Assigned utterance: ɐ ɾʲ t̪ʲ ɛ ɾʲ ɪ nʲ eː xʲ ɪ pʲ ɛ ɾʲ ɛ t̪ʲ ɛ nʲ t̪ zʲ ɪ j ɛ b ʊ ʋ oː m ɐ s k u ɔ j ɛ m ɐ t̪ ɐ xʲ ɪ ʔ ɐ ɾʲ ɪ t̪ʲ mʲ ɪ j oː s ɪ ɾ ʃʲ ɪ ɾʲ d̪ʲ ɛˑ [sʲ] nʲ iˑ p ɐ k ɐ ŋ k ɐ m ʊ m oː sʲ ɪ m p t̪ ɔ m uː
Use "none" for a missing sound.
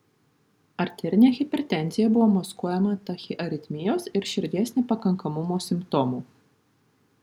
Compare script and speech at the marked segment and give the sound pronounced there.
sʲ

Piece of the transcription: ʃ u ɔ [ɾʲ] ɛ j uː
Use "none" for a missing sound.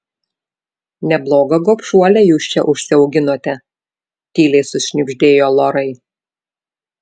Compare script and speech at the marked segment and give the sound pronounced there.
lʲ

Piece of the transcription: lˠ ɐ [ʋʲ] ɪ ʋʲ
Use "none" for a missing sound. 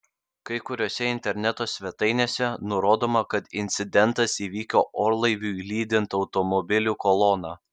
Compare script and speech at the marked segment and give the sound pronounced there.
none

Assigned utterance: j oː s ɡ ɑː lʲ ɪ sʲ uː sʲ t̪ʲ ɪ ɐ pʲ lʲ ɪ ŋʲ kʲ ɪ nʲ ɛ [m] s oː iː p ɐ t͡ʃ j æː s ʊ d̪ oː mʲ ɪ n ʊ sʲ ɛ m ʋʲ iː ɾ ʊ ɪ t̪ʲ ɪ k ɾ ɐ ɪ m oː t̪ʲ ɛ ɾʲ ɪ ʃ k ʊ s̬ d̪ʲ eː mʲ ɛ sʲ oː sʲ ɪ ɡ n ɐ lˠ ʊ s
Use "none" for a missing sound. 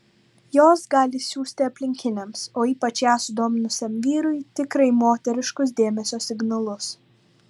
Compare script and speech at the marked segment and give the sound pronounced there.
m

